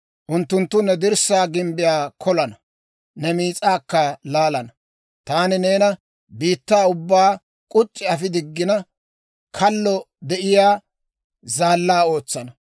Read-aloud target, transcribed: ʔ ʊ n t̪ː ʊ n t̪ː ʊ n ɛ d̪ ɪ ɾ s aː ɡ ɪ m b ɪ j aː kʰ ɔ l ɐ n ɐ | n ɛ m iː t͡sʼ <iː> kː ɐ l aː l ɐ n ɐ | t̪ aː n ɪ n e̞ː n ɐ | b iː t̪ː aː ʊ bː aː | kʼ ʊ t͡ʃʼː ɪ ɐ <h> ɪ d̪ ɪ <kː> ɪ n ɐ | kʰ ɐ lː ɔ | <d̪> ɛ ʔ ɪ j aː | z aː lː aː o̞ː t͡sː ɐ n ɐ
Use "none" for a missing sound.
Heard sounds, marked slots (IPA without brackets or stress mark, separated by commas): aː, f, ɡː, d̪